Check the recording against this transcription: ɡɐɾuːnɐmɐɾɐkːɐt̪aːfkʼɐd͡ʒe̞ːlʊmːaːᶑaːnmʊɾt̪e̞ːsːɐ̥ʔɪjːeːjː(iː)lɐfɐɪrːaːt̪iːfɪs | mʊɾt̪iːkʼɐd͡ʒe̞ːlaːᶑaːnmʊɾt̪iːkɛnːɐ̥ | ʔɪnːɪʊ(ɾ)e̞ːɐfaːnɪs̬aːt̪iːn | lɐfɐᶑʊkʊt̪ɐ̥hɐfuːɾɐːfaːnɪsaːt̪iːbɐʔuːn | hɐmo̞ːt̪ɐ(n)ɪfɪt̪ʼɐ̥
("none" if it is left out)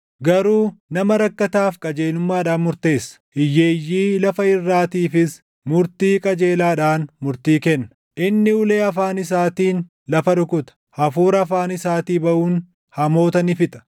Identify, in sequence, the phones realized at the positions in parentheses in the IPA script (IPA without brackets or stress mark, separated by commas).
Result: iː, l, n